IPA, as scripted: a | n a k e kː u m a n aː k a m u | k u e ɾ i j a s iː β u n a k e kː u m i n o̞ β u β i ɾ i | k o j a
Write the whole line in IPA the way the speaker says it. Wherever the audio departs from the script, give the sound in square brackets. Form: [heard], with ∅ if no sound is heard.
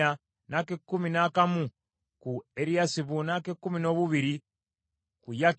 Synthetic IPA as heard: a | n a k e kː u m [i] n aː k a m u | k u e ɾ i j a s [i] β u n a k e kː u m i n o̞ β u β i ɾ i | k [u] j a